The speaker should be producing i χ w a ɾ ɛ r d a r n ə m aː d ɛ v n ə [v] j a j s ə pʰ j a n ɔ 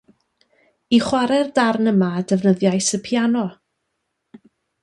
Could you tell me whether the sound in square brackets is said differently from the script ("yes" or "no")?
yes